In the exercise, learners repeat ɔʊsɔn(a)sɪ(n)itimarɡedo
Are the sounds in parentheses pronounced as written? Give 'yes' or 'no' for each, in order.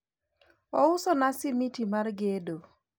yes, no

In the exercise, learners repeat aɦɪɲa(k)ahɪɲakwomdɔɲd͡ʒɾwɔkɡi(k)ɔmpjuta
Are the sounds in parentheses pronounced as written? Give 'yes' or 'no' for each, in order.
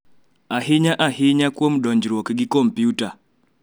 no, yes

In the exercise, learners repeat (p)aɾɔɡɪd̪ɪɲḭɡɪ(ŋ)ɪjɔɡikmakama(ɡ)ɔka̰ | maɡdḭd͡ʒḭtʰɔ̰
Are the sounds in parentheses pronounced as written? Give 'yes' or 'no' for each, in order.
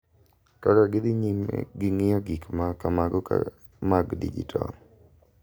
no, yes, yes

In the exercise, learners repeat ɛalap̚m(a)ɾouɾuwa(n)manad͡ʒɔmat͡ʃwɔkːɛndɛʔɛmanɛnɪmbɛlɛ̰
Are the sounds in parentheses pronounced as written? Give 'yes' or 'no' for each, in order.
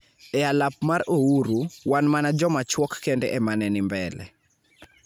yes, yes

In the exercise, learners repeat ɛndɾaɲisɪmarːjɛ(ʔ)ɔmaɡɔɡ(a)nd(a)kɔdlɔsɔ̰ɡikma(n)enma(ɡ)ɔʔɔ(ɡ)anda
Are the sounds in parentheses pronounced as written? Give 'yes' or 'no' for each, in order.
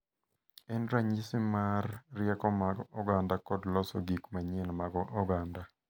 no, yes, yes, no, yes, yes

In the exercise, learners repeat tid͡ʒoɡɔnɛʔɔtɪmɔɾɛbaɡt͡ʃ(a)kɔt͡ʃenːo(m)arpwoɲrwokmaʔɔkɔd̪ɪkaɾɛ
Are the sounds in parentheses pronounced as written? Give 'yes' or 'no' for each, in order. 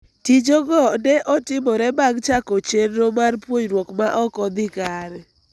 yes, yes

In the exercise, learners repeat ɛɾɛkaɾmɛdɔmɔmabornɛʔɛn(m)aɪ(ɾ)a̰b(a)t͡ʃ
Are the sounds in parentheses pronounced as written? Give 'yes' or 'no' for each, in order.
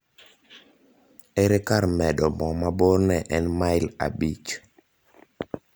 yes, no, no

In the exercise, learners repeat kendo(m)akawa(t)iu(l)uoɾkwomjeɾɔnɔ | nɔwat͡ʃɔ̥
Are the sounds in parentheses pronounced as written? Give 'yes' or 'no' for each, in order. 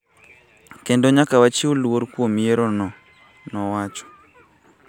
no, no, yes

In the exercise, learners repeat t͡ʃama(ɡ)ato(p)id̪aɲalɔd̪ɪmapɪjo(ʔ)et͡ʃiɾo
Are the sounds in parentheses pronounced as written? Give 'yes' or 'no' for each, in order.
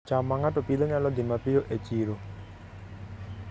no, yes, yes

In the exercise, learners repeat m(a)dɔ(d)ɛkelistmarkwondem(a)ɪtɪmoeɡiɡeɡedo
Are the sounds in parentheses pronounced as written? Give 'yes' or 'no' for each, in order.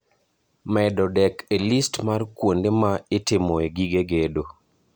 no, yes, yes

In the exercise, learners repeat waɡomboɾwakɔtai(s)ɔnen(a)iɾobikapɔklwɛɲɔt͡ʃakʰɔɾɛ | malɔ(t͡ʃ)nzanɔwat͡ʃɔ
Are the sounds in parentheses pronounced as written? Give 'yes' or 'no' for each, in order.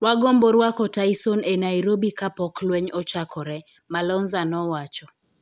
yes, yes, no

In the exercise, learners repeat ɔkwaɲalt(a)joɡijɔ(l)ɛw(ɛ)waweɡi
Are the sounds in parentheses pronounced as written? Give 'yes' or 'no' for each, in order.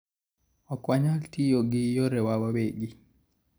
no, no, no

